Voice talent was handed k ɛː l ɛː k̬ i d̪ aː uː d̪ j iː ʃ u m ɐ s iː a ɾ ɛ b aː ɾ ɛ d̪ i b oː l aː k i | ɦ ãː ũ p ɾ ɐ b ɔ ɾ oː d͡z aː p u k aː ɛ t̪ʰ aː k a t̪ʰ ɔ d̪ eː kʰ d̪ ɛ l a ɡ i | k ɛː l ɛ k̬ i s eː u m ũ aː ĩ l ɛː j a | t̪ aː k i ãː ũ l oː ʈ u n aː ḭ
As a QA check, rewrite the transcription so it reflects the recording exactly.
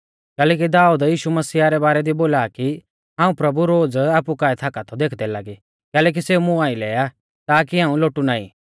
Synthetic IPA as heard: k ɛː l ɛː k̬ i d̪ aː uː d̪ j iː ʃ u m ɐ s iː a ɾ ɛ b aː ɾ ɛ d̪ i b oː l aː k i | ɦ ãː ũ p ɾ ɐ b u ɾ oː d͡z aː p u k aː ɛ t̪ʰ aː k a t̪ʰ ɔ d̪ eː kʰ d̪ ɛ l a ɡ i | k ɛː l ɛ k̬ i s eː u m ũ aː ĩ l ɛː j a | t̪ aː k i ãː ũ l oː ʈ u n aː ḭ